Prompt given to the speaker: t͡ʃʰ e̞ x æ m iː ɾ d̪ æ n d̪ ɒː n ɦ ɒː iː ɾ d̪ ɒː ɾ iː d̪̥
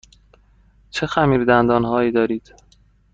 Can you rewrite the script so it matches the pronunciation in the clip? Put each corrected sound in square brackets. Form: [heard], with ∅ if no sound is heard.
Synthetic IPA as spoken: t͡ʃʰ e̞ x æ m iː ɾ d̪ æ n d̪ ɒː n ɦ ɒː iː [∅] d̪ ɒː ɾ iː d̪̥